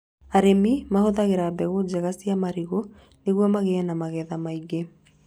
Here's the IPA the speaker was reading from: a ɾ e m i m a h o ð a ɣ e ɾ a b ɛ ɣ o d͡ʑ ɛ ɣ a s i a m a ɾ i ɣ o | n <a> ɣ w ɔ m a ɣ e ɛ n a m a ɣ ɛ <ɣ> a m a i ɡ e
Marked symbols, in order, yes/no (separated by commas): no, no